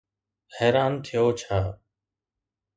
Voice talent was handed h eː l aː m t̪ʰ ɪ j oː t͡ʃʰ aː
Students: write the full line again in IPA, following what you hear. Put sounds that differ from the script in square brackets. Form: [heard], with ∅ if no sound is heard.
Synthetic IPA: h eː [ɾ] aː [n] t̪ʰ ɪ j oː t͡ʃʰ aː

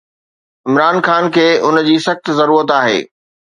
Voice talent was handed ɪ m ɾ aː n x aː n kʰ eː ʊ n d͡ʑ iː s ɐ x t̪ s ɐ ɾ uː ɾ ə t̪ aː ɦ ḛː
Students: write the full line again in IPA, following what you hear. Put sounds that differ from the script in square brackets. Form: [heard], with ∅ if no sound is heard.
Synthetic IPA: ɪ m ɾ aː n x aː n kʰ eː ʊ n d͡ʑ iː s ɐ x t̪ [z] ɐ ɾ uː ɾ ə t̪ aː ɦ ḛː

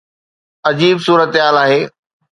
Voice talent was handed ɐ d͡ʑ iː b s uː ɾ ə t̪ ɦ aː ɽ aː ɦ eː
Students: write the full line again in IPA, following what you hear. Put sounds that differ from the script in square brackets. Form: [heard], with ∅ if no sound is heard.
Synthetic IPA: ɐ d͡ʑ iː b s uː ɾ ə t̪ ɦ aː [l] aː ɦ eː

